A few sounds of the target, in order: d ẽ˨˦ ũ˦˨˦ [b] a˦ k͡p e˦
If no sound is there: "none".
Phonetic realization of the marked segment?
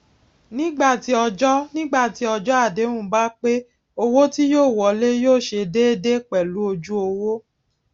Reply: b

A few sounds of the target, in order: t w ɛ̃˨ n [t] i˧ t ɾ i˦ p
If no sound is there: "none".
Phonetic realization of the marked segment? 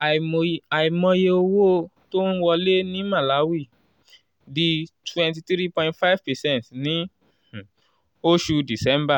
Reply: t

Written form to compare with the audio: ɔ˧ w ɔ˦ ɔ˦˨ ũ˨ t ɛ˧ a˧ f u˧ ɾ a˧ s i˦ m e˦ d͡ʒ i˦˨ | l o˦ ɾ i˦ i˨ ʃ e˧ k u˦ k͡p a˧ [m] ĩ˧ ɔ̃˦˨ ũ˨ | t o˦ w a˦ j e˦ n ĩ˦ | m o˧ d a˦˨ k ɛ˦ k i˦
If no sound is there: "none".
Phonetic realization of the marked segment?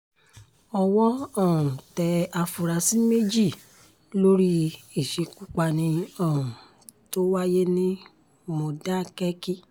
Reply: n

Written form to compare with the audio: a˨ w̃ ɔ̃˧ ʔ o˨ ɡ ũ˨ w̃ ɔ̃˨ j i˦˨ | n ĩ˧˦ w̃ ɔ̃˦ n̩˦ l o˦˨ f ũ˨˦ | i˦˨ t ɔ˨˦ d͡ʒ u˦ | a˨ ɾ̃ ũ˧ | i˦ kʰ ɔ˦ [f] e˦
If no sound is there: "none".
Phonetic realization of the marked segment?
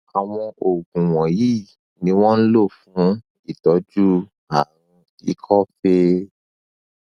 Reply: f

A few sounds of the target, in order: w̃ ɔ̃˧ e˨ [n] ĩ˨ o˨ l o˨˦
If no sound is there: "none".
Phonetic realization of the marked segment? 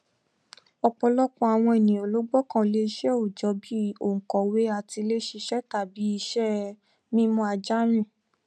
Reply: n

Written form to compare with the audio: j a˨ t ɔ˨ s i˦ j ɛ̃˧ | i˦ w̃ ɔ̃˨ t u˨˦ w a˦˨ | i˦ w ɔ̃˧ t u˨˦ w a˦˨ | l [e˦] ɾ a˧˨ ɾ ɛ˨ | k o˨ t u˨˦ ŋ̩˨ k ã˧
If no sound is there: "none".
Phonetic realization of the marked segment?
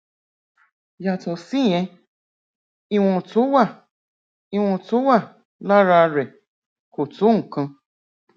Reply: a˦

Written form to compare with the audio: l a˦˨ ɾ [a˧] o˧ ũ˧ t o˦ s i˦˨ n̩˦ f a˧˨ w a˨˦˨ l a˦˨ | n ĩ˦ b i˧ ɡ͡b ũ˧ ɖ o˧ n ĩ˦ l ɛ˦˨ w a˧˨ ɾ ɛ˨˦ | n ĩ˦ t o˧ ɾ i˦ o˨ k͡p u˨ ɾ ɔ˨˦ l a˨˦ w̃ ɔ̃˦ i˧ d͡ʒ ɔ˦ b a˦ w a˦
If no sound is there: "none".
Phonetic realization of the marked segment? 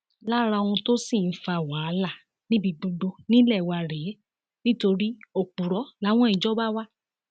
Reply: a˧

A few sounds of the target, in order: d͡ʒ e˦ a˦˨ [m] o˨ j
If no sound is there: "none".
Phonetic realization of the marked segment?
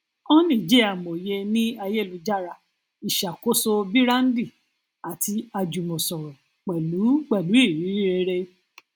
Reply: m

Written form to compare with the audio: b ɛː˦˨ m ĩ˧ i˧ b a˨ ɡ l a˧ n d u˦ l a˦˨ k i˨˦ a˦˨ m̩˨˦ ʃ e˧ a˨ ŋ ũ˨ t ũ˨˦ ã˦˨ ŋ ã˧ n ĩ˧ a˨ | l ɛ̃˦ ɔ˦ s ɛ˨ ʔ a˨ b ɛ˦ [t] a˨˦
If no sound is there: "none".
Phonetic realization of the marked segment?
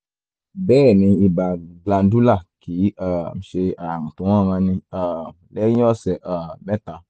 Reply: t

